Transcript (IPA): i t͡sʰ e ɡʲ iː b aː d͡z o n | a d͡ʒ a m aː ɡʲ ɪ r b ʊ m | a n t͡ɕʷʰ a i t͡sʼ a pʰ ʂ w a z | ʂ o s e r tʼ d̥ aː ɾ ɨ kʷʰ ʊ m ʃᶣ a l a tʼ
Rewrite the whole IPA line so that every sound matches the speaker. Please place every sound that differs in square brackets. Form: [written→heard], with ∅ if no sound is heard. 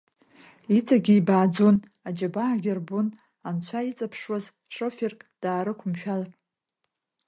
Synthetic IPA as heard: i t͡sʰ [e→a] ɡʲ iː b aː d͡z o n | a d͡ʒ a [m→b] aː ɡʲ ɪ r b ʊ [m→n] | a n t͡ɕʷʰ a i t͡sʼ a pʰ ʂ w a z | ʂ o [s→f] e r [tʼ→kʼ] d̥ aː ɾ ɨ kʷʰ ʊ m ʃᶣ a l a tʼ